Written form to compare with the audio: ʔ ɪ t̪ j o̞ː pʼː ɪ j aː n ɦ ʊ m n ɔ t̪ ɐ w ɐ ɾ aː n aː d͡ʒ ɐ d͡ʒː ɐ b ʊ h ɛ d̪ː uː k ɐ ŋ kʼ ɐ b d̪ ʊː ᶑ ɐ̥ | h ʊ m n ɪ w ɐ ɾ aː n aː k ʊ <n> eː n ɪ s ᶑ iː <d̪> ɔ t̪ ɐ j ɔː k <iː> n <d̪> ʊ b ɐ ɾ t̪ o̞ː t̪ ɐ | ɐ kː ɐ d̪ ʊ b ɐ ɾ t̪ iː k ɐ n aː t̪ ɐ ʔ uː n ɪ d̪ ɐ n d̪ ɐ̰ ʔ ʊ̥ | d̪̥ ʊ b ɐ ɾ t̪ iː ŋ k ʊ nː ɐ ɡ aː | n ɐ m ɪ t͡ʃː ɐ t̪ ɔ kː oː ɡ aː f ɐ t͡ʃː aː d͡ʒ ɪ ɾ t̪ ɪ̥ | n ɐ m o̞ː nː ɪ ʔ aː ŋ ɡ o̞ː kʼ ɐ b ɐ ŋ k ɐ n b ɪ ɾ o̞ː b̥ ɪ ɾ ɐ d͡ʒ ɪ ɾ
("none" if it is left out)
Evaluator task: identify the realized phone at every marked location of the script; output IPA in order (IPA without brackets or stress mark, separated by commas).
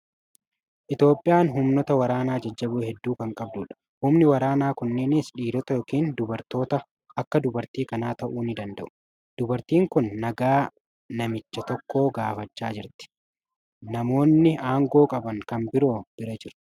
nː, d̪, iː, d̪